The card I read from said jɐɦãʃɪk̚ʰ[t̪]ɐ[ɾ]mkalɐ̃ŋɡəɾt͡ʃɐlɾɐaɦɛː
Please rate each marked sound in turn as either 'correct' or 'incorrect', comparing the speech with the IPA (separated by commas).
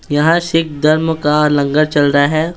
incorrect, correct